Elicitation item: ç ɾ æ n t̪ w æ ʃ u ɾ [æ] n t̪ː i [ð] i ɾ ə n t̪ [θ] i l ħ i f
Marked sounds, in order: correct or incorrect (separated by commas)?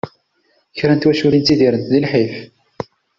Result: incorrect, correct, incorrect